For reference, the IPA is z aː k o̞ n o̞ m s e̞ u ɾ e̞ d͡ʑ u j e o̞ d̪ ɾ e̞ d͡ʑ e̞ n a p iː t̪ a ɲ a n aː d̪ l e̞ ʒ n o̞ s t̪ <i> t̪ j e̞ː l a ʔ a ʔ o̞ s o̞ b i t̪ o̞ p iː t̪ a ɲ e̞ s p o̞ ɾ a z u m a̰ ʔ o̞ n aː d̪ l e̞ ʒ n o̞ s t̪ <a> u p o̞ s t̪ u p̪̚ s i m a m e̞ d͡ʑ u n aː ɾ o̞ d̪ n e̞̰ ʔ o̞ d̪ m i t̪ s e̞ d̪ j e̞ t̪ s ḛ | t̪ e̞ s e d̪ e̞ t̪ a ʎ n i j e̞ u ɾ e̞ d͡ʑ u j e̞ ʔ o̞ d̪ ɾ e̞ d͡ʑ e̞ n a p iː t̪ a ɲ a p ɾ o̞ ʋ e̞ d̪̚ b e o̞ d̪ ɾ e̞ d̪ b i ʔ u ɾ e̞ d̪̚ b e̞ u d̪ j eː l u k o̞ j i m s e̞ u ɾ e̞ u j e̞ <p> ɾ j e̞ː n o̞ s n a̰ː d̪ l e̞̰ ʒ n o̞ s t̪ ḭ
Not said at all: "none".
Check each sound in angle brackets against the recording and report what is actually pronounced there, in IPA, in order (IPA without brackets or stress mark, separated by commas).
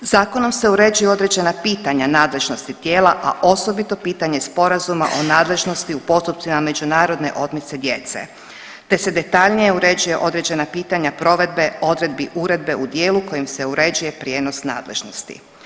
i, i, p